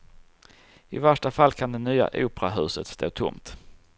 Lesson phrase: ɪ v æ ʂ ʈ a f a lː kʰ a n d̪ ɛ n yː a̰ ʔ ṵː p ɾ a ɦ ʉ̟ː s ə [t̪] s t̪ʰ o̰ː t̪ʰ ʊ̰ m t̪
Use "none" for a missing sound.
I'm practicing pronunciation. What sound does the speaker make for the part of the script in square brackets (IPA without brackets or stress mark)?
t̪